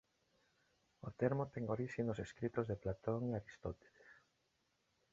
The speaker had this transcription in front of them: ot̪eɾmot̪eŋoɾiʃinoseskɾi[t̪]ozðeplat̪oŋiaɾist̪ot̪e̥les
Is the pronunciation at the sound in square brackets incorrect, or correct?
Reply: correct